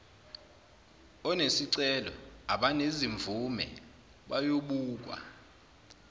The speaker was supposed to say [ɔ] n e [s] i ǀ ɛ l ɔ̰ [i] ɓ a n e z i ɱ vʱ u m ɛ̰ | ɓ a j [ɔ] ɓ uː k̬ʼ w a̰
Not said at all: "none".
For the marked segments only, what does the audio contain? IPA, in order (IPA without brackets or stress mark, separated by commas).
ɔ, s, a, o